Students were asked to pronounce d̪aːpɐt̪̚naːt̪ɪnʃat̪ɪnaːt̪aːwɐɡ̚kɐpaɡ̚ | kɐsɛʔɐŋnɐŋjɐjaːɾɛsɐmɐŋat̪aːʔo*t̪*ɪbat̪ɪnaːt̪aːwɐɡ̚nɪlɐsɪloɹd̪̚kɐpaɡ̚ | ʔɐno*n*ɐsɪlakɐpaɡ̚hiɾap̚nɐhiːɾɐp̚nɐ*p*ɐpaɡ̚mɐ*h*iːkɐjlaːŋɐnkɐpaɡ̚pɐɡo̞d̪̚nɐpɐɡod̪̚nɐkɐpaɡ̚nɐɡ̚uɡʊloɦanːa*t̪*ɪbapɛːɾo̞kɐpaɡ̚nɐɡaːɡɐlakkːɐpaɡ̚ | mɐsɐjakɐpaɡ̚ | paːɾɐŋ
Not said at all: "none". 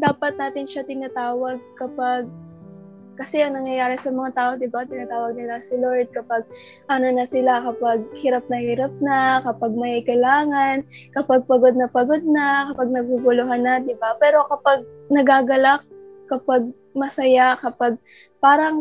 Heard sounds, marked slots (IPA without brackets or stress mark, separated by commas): d̪, n, k, h, d̪